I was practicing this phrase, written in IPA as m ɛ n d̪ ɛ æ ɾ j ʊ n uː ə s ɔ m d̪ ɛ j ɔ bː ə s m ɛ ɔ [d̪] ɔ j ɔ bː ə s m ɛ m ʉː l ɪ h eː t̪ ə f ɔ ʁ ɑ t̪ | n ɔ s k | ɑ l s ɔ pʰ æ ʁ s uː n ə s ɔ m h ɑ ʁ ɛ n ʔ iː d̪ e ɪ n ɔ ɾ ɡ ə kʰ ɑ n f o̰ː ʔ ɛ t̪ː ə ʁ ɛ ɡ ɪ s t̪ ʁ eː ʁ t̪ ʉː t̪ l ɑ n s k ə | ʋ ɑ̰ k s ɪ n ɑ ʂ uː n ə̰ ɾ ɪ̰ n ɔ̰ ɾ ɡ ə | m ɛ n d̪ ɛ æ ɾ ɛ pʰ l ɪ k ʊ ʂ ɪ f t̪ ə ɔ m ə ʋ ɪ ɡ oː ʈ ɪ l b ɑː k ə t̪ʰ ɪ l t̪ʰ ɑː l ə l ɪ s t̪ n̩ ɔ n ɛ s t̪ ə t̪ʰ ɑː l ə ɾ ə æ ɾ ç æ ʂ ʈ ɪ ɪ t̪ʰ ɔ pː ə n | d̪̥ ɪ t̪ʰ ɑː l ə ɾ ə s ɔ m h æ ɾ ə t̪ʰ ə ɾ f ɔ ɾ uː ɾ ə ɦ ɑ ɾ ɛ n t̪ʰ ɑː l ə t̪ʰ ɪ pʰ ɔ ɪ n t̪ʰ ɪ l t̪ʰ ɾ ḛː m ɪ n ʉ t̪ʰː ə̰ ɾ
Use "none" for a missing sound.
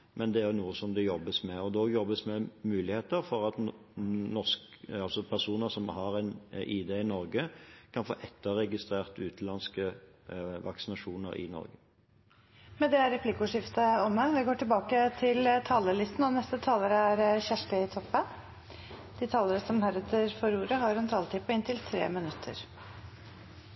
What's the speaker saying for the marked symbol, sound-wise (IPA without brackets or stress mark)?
d̪